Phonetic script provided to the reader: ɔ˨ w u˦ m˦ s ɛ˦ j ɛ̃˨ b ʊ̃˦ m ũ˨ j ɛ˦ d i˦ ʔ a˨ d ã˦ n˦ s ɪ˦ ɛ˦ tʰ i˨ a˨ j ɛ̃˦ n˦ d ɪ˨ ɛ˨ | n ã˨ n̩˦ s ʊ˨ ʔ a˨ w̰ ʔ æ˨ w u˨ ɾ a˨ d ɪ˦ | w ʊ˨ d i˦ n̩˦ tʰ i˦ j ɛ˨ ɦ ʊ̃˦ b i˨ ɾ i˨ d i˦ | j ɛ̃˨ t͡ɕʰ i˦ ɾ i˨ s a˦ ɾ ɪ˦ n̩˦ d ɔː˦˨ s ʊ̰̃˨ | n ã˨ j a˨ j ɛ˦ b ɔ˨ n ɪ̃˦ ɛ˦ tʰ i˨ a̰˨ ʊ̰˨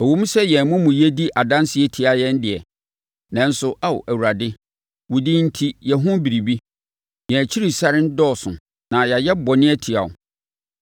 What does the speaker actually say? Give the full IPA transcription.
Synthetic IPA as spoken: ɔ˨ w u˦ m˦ s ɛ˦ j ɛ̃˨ m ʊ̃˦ m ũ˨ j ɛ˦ d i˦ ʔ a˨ d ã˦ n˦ s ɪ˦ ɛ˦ tʰ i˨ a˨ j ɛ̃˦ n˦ d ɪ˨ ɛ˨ | n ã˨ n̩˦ s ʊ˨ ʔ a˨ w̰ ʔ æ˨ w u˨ ɾ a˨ d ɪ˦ | w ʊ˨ d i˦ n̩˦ tʰ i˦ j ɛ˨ ɦ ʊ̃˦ b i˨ ɾ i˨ b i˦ | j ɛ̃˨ t͡ɕʰ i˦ ɾ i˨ s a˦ ɾ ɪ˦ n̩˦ d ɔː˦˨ s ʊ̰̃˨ | n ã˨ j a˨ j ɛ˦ b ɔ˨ n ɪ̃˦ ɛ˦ tʰ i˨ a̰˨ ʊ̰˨